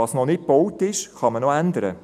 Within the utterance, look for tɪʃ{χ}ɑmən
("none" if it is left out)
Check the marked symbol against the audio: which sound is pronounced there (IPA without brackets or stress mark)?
χ